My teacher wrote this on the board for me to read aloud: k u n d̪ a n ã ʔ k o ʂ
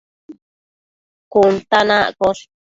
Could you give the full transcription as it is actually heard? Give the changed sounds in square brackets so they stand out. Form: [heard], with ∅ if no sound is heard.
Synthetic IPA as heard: k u n [t̪] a n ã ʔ k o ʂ